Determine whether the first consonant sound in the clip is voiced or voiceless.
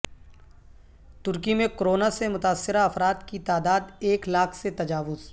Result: voiceless